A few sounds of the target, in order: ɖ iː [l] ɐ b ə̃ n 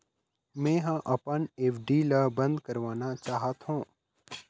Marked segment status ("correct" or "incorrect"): correct